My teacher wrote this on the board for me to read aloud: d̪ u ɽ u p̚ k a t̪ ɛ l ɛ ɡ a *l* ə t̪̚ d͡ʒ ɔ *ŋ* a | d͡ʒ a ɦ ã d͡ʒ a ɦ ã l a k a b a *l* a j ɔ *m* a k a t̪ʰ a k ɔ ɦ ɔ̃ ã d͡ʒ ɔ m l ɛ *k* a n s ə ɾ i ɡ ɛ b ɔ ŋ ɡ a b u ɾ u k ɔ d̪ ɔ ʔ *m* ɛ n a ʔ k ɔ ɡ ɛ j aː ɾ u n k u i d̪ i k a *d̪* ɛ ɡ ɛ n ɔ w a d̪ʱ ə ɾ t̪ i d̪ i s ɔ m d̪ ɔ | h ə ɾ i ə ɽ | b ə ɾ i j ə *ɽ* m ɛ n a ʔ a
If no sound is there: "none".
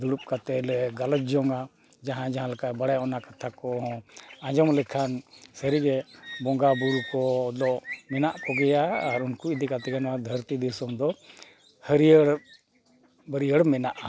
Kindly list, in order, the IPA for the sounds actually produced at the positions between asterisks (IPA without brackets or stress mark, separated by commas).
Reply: l, ŋ, ɽ, n, kʰ, m, t̪, ɽ